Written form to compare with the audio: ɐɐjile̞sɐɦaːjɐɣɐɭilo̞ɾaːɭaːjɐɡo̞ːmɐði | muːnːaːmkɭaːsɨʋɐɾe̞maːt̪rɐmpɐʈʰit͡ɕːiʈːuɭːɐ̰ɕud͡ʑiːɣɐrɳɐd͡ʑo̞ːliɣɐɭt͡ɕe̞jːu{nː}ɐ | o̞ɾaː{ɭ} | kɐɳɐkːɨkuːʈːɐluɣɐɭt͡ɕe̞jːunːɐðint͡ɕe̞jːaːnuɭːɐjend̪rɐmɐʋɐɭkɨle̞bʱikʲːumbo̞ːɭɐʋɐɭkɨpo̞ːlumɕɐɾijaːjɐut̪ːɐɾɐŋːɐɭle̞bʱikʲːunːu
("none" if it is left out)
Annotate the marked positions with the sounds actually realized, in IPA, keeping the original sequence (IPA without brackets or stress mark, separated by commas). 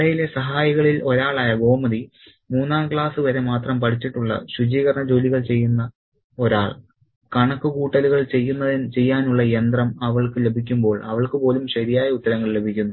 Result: nː, ɭ